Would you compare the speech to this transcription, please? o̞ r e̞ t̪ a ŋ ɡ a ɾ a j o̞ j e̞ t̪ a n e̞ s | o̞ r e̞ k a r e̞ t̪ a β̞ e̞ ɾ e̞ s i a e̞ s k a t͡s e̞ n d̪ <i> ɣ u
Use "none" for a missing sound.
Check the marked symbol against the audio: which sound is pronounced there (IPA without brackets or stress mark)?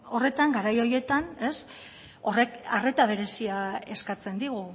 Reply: i